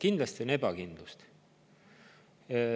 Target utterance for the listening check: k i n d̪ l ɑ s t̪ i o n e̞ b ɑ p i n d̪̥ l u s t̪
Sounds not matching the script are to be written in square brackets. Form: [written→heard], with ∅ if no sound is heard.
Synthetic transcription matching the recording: k i n d̪ l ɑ s t̪ i o n e̞ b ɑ [p→k] i n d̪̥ l u s t̪

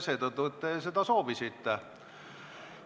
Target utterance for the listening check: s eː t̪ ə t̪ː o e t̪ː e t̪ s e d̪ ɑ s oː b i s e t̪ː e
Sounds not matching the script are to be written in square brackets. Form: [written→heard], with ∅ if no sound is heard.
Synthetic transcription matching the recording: s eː t̪ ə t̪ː [o→u] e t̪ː e [t̪→∅] s e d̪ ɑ s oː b i s [e→i] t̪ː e

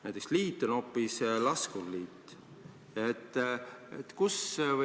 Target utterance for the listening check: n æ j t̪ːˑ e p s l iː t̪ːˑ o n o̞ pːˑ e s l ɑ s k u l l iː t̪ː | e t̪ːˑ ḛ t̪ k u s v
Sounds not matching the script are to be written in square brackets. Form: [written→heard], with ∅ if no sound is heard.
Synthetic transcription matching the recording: n æ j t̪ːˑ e [p→k] s l iː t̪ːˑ o n o̞ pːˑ [e→i] s l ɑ s k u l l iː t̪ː | e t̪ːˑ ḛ t̪ k u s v

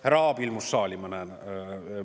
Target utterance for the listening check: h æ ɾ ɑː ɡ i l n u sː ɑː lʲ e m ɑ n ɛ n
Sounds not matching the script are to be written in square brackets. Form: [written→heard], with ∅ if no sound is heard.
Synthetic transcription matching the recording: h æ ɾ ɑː [ɡ→b] i l [n→m] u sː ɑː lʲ [e→i] m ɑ n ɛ n

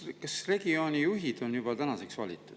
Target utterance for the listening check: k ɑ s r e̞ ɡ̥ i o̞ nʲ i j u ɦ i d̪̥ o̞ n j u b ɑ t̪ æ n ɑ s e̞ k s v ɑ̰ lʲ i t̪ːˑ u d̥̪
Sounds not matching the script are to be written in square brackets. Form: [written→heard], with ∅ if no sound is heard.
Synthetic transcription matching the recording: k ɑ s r e̞ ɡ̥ i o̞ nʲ i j u ɦ i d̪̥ o̞ n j u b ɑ t̪ æ n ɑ s e̞ k s v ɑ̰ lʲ i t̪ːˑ u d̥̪

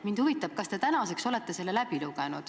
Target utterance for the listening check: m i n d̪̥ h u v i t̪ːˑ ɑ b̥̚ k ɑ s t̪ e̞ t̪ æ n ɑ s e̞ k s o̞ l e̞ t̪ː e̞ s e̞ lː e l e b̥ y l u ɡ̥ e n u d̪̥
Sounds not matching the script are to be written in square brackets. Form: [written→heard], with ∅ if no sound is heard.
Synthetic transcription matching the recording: m i n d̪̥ h u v i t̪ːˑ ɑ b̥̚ k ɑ s t̪ e̞ t̪ æ n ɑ s e̞ k s o̞ l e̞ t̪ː e̞ s e̞ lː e l [e→æ] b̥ [y→i] l u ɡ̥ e n u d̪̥

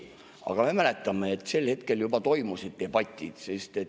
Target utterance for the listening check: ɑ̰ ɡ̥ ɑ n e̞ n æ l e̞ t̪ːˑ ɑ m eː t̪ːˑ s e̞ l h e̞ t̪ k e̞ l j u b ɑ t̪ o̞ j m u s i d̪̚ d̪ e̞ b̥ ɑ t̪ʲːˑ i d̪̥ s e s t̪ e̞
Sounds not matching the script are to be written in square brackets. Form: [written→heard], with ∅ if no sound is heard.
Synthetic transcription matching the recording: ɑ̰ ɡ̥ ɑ [n→m] e̞ [n→m] æ l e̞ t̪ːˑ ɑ m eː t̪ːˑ s e̞ l h e̞ t̪ k e̞ l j u b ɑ t̪ o̞ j m u s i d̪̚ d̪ e̞ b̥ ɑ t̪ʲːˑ i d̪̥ s e s t̪ e̞

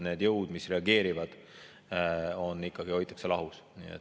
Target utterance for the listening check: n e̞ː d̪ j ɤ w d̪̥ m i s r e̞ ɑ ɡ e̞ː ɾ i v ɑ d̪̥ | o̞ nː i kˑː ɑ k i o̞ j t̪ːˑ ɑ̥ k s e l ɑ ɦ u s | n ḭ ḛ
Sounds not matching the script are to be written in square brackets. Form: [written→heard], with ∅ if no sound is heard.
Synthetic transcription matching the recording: n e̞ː d̪ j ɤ w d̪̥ m i s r e̞ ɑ ɡ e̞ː ɾ i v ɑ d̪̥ | o̞ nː i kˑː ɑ [k→ɡ] i o̞ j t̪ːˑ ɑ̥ k s e l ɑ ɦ u s | n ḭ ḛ

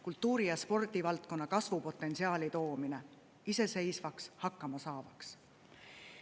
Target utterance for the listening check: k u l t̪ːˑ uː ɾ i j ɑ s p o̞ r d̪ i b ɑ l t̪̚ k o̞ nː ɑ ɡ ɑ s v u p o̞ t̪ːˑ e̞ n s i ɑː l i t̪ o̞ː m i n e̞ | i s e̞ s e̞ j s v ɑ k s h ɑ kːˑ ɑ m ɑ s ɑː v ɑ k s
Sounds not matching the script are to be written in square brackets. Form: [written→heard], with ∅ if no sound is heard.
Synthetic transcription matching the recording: k u l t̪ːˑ uː ɾ i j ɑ s p o̞ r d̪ i [b→v] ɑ l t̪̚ k o̞ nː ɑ [ɡ→k] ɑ s v u p o̞ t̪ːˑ e̞ n s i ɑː l i t̪ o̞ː m i n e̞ | i s e̞ s e̞ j s v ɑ k s h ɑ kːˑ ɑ m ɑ s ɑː v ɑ k s

